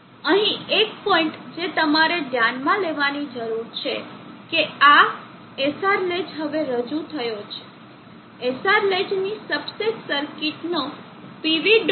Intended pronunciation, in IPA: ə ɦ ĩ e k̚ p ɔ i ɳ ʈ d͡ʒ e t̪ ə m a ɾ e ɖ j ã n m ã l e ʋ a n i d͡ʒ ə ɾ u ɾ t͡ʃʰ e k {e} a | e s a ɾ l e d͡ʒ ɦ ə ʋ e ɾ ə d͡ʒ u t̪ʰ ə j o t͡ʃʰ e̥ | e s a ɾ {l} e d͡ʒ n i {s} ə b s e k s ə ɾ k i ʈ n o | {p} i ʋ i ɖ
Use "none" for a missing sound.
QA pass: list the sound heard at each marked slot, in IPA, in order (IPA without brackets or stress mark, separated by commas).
e, l, s, p